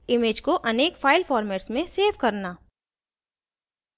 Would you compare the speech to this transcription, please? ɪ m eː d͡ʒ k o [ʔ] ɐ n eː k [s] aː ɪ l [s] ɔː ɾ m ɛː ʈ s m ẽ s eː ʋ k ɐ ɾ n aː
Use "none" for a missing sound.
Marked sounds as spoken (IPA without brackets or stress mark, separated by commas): ʔ, f, f